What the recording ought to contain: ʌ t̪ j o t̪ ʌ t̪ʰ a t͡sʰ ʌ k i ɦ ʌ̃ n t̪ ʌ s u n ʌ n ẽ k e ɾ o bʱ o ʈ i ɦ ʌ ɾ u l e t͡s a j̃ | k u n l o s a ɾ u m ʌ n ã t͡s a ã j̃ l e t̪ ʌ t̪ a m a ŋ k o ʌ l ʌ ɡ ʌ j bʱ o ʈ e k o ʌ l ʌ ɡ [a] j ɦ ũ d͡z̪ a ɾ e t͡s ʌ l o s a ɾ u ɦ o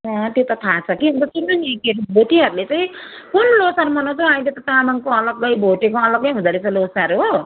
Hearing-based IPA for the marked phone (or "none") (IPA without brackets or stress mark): ʌ